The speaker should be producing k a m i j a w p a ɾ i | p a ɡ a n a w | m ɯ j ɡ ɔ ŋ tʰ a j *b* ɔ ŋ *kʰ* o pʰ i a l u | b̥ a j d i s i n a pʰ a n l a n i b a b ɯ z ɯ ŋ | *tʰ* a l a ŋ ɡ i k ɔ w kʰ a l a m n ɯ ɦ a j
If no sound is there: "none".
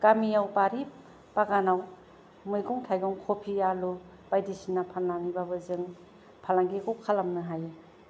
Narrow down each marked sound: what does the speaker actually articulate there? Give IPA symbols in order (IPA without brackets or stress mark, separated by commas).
ɡ, kʰ, pʰ